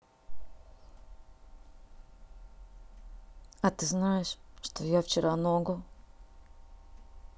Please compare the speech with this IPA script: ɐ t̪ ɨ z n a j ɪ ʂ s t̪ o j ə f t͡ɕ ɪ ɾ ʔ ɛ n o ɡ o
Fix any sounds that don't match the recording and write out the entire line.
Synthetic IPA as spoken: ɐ t̪ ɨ z n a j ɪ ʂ ʂ t̪ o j a f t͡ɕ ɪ ɾ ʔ a n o ɡ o